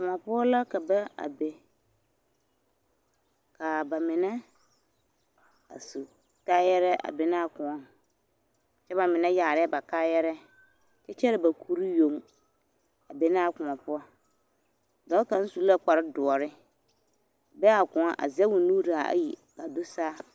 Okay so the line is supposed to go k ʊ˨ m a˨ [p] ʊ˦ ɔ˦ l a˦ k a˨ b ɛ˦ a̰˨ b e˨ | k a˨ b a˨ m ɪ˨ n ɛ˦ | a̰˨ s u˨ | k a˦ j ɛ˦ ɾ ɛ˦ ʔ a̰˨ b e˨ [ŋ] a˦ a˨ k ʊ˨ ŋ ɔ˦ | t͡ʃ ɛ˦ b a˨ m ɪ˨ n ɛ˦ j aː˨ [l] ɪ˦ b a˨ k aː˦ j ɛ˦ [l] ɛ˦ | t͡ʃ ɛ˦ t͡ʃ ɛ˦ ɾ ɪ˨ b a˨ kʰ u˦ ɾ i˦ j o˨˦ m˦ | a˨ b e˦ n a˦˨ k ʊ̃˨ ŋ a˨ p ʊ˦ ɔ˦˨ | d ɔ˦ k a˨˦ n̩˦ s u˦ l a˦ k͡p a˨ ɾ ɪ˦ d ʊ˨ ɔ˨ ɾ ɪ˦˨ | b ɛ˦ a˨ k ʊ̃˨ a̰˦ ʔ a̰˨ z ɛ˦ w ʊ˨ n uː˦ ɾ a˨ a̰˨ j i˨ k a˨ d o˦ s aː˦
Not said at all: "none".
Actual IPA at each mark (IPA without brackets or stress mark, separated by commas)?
p, n, ɾ, ɾ